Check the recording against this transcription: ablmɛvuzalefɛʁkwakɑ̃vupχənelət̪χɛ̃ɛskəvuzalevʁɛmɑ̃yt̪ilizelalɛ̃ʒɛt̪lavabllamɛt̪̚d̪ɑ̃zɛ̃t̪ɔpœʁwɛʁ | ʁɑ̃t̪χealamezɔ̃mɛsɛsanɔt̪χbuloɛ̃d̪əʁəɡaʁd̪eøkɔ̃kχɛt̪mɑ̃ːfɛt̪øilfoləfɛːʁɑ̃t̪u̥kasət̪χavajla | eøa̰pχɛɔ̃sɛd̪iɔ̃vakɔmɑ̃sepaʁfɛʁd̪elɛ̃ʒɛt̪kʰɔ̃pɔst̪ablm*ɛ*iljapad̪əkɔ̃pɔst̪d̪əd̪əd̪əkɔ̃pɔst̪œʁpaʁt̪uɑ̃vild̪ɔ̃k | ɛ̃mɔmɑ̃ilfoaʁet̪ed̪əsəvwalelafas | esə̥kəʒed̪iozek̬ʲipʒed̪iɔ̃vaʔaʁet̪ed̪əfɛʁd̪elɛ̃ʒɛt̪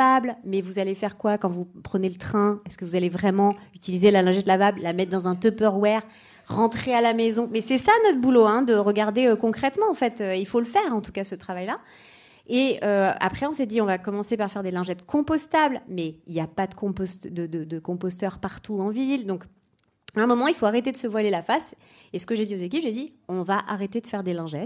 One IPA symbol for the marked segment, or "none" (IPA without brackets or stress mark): ɛ